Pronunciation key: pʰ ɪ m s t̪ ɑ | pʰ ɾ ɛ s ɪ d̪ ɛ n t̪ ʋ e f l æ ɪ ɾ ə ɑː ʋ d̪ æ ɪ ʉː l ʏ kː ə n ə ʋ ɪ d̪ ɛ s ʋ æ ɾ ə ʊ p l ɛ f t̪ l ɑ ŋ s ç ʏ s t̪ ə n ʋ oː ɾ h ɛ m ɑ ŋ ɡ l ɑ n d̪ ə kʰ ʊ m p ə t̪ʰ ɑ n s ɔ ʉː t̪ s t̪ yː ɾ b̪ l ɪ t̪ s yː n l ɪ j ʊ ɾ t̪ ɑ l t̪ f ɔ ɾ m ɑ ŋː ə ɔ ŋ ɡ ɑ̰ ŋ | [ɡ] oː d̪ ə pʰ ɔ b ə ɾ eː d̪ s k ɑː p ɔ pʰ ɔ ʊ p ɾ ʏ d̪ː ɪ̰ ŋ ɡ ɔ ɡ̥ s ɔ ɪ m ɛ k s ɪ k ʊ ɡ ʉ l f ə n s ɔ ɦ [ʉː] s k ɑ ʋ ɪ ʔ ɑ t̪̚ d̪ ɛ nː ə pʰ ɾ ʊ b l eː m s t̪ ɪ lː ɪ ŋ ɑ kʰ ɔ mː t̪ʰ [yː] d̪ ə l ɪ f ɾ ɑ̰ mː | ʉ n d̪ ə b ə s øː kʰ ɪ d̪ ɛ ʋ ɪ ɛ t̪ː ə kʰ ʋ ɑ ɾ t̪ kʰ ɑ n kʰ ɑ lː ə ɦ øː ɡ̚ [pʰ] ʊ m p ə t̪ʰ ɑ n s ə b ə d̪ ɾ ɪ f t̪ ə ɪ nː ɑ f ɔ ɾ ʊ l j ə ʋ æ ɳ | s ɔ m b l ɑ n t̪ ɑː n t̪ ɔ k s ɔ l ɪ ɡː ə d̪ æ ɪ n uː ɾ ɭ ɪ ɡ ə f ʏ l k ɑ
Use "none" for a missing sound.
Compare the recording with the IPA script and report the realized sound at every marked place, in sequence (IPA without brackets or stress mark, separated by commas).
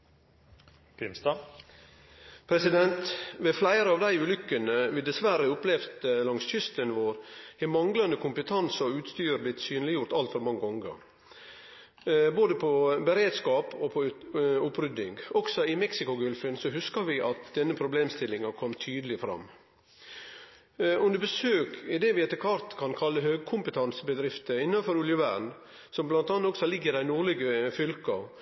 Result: b, ʉ, yː, kʰ